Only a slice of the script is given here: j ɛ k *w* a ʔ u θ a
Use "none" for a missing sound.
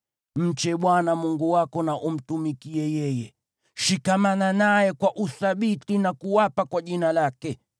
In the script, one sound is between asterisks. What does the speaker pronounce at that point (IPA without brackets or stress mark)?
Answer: w